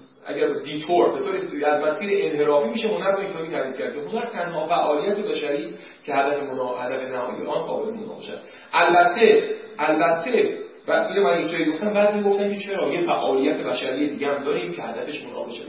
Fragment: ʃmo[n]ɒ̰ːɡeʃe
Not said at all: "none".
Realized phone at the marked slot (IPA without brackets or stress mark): n